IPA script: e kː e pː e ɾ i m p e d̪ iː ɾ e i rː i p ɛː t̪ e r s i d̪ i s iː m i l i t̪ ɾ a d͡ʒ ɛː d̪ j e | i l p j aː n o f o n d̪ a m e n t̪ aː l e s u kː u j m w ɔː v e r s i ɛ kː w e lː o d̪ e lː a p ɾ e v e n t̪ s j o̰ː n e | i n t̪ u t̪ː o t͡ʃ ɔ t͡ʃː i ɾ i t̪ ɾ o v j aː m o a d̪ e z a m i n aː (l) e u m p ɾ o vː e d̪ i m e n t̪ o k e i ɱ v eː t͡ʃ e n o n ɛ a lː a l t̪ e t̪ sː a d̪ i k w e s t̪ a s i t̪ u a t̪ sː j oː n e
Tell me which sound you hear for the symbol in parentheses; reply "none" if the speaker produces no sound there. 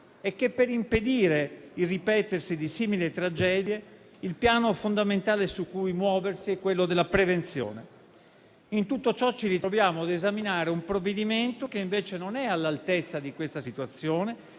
ɾ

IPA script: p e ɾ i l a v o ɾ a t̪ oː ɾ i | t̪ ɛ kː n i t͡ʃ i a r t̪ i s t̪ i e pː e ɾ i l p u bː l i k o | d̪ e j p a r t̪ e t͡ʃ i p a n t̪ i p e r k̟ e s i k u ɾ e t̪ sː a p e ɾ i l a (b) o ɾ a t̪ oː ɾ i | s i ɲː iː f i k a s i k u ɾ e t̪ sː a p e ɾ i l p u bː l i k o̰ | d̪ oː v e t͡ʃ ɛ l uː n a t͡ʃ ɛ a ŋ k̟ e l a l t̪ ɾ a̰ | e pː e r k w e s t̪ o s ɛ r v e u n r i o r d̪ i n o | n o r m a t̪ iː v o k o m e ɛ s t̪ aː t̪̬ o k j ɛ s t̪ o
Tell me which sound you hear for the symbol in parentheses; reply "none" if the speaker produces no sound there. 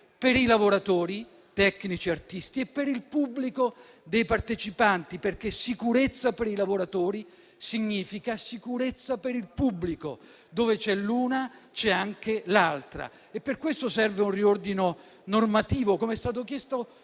v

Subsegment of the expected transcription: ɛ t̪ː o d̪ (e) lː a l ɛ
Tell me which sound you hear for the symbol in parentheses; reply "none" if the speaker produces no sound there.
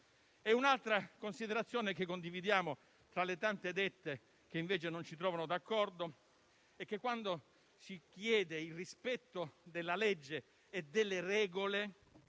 e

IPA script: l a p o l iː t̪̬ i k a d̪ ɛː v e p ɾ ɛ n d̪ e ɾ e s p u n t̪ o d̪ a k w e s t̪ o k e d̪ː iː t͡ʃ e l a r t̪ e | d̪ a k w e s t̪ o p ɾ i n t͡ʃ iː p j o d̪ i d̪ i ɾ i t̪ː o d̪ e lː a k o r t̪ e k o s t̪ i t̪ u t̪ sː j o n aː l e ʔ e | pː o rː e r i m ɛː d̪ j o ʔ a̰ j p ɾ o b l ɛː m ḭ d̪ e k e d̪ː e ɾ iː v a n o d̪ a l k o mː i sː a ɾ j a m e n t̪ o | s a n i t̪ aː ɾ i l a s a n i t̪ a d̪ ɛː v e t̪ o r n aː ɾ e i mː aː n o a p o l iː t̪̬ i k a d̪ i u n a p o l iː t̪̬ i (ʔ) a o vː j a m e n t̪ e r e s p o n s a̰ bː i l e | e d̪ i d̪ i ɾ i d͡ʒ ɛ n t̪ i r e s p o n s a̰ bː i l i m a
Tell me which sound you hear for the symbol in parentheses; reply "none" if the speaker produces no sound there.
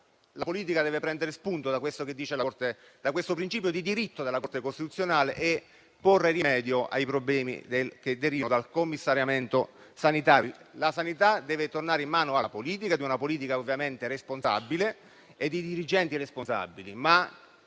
k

